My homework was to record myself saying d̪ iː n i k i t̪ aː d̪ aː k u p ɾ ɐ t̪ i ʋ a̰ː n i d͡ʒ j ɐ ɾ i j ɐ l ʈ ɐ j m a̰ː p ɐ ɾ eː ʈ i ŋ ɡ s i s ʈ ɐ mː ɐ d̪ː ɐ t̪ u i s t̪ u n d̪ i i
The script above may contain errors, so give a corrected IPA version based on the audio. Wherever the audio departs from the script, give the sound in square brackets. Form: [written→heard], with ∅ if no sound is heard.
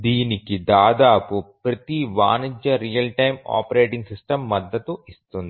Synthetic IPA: d̪ iː n i k i [t̪→d̪] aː d̪ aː [k→p] u p ɾ ɐ t̪ i ʋ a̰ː n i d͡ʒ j ɐ ɾ i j ɐ l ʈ ɐ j m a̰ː p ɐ ɾ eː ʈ i ŋ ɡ s i s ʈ ɐ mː ɐ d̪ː ɐ t̪ u i s t̪ u n d̪ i i